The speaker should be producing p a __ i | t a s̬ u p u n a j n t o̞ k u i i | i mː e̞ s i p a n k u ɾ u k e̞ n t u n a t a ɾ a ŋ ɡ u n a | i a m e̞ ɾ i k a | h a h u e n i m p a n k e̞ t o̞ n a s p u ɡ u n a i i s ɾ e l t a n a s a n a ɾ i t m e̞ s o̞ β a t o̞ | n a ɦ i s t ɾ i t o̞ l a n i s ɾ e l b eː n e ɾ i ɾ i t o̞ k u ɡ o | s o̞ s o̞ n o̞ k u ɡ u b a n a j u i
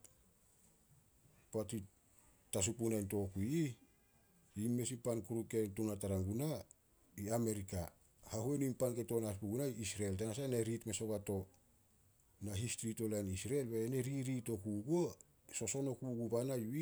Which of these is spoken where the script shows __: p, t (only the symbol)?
t